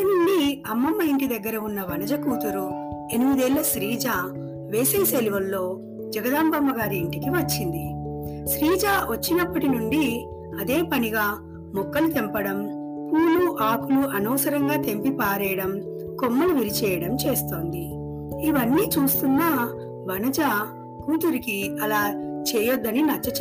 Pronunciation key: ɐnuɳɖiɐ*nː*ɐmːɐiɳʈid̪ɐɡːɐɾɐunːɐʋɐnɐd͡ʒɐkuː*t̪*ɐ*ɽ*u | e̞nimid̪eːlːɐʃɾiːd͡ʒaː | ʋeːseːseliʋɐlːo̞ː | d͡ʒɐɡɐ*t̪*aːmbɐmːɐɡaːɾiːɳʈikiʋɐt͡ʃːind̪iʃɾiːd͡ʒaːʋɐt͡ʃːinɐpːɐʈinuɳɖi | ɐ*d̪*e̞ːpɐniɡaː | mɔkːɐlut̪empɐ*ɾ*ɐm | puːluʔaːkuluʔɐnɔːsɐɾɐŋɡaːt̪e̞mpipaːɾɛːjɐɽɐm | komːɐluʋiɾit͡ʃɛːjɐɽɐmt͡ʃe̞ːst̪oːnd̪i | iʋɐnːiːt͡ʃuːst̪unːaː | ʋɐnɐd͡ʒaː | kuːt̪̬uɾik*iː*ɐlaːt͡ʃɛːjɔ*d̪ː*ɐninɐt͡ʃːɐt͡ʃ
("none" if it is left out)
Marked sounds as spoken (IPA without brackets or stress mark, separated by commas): mː, t̪, ɾ, d̪, d̪, ɽ, i, d̪ː